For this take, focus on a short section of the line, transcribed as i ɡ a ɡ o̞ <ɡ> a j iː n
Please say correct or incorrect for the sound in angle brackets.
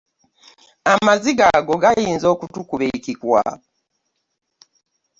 correct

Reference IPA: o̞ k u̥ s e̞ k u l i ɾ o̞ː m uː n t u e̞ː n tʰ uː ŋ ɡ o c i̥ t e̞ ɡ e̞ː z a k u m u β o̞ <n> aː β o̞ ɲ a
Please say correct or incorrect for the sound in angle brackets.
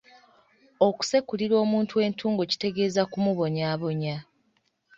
incorrect: ɲ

